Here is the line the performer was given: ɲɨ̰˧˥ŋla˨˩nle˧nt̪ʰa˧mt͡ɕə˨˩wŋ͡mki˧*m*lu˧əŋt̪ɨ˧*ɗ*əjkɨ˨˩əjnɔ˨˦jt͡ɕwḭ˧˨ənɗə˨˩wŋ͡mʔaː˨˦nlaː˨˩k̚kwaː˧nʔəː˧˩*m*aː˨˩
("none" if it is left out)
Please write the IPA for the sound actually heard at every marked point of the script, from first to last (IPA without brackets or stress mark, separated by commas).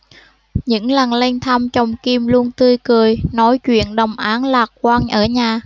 m, none, ɲ